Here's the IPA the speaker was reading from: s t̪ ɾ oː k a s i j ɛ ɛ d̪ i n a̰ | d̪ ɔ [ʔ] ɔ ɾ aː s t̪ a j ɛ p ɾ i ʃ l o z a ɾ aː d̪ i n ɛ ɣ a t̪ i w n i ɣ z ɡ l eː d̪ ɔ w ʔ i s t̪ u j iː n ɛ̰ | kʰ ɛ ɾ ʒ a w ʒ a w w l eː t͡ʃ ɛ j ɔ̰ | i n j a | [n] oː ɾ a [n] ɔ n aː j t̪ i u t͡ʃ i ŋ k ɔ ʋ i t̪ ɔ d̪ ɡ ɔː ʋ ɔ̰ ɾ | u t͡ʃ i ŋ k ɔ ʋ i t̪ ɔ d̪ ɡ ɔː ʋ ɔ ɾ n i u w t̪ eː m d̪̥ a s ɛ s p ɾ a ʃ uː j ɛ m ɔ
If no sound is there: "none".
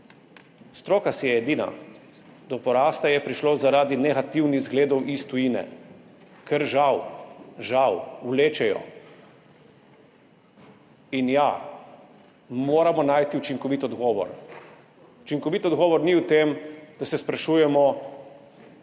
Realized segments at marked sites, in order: p, m, m

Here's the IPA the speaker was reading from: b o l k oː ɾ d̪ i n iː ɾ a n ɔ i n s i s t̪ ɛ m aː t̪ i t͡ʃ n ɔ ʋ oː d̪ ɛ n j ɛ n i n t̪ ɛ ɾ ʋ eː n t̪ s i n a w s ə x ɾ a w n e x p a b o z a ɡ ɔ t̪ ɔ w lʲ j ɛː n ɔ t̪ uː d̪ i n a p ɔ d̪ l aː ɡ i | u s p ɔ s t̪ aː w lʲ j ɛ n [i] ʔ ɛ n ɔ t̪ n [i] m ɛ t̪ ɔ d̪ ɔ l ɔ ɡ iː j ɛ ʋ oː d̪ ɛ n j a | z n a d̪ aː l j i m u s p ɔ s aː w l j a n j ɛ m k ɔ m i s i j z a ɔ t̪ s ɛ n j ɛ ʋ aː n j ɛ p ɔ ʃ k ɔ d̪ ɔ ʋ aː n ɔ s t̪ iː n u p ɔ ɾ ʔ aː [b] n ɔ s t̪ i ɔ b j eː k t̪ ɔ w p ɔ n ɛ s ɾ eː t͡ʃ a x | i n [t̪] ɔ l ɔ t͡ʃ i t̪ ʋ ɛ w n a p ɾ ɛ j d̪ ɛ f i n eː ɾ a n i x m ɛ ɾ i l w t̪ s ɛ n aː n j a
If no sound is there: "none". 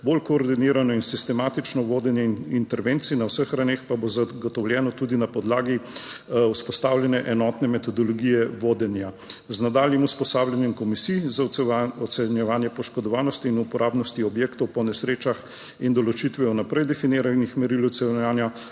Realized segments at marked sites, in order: ɛ, ɛ, b, d̪

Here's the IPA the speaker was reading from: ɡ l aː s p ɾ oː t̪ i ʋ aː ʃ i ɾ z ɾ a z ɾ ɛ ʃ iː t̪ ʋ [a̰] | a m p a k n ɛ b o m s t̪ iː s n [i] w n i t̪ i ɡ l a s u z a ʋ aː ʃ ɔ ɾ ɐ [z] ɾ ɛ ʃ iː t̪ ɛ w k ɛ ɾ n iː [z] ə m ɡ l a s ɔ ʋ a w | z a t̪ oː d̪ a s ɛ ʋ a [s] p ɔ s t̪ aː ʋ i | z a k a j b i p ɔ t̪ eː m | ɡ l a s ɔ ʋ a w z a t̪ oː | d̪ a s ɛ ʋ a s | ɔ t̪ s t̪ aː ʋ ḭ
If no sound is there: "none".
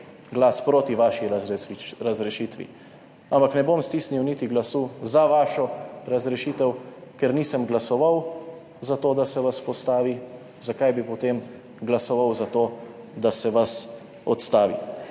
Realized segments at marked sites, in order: ḭ, i, z, s, s

